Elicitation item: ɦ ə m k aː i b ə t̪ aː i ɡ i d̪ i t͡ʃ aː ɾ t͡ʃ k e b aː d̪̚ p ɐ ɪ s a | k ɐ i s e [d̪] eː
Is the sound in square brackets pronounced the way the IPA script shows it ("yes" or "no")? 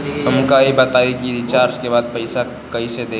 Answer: yes